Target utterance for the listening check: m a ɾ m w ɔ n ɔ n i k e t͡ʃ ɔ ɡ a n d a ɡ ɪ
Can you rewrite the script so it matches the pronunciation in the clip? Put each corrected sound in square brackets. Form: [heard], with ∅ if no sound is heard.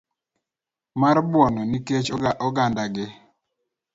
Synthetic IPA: m a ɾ [b] w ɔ n ɔ n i k e t͡ʃ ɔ ɡ a n d a ɡ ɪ